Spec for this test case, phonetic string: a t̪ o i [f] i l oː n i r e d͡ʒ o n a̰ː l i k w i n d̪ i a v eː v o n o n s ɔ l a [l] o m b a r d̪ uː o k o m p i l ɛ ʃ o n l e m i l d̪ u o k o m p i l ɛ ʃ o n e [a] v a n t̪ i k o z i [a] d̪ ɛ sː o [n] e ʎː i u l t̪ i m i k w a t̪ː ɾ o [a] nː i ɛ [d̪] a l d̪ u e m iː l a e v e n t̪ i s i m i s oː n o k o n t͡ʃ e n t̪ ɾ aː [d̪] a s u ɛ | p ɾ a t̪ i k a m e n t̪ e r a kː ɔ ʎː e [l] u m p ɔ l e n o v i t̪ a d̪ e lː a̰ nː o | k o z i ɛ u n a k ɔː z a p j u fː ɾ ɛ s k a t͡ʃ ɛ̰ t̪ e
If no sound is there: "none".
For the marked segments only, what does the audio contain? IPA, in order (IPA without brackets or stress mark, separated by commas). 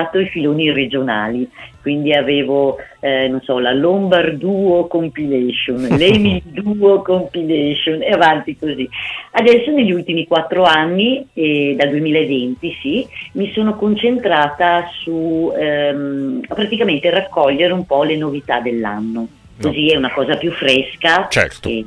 f, l, a, a, n, a, d̪, t̪, ɾ